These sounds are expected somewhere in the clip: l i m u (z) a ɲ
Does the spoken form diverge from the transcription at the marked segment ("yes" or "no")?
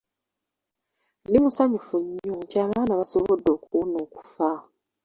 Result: yes